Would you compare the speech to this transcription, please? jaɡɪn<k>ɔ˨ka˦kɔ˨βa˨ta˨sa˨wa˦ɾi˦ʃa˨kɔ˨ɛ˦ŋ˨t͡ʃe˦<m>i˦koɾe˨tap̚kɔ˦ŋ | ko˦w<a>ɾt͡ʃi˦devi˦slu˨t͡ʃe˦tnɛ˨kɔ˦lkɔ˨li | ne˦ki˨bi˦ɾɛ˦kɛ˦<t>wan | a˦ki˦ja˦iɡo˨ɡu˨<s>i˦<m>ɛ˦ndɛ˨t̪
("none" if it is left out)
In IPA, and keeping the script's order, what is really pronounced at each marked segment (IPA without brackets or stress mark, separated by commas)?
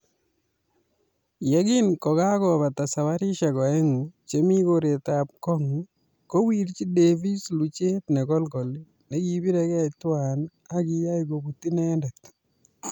k, m, i, t, t, n